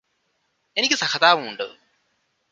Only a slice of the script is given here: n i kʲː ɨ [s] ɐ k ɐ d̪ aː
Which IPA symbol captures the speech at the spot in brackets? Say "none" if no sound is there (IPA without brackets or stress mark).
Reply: s